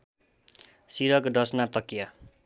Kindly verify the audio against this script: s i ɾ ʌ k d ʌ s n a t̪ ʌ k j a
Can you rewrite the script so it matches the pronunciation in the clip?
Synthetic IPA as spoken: s i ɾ ʌ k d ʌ s n a t̪ ʌ k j a